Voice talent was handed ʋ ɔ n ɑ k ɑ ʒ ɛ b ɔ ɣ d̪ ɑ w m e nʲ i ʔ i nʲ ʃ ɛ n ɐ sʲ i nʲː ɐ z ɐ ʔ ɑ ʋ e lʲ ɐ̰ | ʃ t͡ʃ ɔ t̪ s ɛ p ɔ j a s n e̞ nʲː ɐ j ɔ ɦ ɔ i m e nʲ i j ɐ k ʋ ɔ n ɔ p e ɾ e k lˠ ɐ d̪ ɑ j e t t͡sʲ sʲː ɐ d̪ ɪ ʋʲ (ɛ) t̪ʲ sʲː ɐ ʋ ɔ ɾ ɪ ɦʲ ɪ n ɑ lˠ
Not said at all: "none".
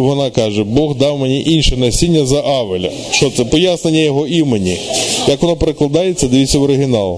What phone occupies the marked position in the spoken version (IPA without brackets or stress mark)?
i